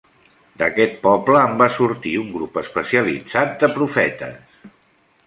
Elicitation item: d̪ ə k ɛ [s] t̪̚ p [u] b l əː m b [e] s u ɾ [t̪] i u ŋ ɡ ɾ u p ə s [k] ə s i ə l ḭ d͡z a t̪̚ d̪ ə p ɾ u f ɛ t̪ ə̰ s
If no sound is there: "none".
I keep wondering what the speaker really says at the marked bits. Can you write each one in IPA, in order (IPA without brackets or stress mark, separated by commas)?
none, ɔ, a, t̪, p